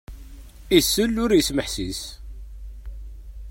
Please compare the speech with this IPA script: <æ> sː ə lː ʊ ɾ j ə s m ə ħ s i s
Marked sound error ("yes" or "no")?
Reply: yes